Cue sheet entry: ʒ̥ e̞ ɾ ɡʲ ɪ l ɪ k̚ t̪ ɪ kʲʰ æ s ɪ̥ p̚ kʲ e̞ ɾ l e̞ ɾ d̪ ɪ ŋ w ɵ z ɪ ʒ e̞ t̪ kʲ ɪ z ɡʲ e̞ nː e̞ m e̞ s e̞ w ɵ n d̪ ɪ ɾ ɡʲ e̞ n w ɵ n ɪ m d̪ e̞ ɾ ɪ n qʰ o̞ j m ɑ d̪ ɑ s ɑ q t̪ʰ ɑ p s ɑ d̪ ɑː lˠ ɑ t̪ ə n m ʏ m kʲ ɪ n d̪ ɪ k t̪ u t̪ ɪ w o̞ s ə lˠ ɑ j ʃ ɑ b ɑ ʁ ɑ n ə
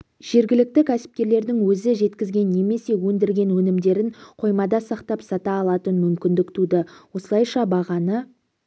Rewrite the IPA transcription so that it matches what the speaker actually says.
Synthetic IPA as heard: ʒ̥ e̞ ɾ ɡʲ ɪ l ɪ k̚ t̪ ɪ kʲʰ æ s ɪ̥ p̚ kʲ e̞ ɾ l e̞ ɾ d̪ ɪ ŋ w ɵ z ɪ ʒ e̞ t̪ kʲ ɪ z ɡʲ e̞ nː e̞ m e̞ s e̞ w ɵ n d̪ ɪ ɾ ɡʲ e̞ n w ɵ n ɪ m d̪ e̞ ɾ ɪ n qʰ o̞ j m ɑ d̪ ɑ s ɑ q t̪ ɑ p s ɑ t̪ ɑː lˠ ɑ t̪ ə n m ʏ m kʲ ɪ n d̪ ɪ k t̪ u d̪ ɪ w o̞ s ə lˠ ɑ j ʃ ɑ b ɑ ʁ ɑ n ə